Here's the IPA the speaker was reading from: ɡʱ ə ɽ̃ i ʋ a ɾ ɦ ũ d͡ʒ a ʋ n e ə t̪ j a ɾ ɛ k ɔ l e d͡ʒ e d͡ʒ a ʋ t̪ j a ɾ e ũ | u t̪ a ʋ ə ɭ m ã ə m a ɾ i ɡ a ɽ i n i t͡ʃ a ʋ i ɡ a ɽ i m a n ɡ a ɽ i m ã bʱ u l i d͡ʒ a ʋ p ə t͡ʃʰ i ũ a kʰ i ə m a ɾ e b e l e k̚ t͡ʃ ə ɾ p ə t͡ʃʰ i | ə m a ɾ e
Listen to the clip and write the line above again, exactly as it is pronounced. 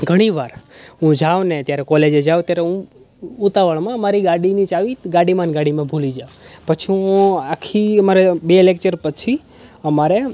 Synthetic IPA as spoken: ɡʱ ə ɽ̃ i ʋ a ɾ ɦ ũ d͡ʒ a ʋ n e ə t̪ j a ɾ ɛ k ɔ l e d͡ʒ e d͡ʒ a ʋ t̪ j a ɾ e ũ | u t̪ a ʋ ə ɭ m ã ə m a ɾ i ɡ a ɽ i n i t͡ʃ a ʋ i ɡ a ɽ i m a n ɡ a ɽ i m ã bʱ u l i d͡ʒ a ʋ p ə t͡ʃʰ i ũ a kʰ i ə m a ɾ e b e l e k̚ t͡ʃ ə ɾ p ə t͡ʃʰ i | ə m a ɾ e